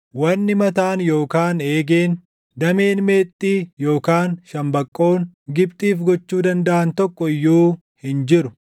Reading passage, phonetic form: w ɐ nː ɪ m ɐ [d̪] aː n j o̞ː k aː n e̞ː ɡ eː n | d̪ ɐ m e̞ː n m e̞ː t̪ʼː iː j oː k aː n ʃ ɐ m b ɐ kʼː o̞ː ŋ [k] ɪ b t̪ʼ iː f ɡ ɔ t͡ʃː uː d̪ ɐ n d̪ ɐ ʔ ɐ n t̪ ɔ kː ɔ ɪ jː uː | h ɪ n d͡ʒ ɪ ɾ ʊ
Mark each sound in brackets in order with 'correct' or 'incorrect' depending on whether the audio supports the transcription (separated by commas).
incorrect, incorrect